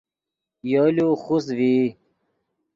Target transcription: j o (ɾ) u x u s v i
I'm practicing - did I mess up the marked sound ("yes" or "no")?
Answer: yes